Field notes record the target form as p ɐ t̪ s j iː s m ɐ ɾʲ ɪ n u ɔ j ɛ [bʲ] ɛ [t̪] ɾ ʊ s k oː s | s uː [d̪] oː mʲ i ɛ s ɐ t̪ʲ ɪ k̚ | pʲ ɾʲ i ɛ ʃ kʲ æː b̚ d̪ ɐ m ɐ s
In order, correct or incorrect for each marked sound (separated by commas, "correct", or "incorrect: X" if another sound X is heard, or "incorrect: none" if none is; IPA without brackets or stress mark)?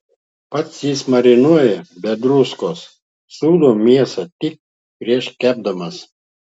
correct, incorrect: d̪, correct